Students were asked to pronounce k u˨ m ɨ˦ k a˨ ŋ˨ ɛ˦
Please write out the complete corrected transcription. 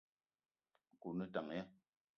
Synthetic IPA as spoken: k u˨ n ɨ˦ t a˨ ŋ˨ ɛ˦